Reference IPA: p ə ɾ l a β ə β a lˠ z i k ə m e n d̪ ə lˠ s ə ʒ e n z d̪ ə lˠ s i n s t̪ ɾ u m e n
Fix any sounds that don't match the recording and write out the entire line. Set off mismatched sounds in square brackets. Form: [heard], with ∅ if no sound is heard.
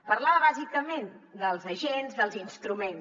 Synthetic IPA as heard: p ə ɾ l a β ə β a [∅] z i k ə m e n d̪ ə lˠ [z] ə ʒ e n z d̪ ə lˠ [z] i n s t̪ ɾ u m e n

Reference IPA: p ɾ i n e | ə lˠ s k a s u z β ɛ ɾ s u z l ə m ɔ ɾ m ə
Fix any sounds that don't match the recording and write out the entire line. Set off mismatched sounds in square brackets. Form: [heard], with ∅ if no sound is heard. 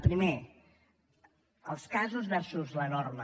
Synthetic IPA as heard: p ɾ i [m] e | ə lˠ s k a [z] u z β ɛ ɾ s u z l ə [n] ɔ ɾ m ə

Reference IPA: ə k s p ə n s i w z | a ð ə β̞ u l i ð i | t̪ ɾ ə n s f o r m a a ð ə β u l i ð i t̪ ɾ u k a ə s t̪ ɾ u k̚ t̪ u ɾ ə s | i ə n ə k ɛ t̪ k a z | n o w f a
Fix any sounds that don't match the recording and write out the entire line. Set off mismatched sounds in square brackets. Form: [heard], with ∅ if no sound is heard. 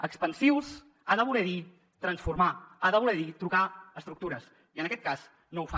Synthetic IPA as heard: ə k s p ə n s i w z | a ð ə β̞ u l [ɛ] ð i | t̪ ɾ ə n s f [u] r m a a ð ə β u l [ɛ] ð i t̪ ɾ u k a ə s t̪ ɾ u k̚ t̪ u ɾ ə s | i ə n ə k ɛ t̪ k a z | n o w f a

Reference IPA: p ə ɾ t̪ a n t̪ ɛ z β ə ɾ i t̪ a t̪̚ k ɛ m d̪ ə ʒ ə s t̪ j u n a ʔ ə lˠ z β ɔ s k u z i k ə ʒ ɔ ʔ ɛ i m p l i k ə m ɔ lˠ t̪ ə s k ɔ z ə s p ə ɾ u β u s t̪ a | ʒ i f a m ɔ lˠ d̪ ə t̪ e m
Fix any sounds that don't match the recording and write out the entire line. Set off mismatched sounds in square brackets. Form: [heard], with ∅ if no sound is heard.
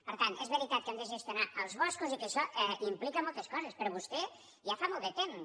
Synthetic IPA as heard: p ə ɾ t̪ a n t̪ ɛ z β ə ɾ i t̪ a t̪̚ k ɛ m d̪ ə ʒ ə s t̪ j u n a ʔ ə lˠ z β ɔ s k u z i k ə [ʃ] ɔ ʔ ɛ i m p l i k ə m ɔ lˠ t̪ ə s k ɔ z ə s p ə ɾ [ɔ] β u s t̪ [ɛ] | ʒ [a] f a m ɔ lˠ d̪ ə t̪ e m

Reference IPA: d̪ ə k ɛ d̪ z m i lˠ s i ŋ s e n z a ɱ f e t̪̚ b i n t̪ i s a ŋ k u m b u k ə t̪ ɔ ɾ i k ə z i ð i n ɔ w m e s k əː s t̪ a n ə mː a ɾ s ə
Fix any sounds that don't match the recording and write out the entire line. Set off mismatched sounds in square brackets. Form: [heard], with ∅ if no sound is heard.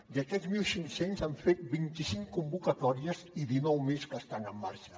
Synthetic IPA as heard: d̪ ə k ɛ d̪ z m i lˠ s i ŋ s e n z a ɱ f e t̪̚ b i n t̪ i s [i] ŋ k u m b u k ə t̪ ɔ ɾ i [∅] ə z i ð i n ɔ w m e s k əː s t̪ a n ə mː a ɾ [ʃ] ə

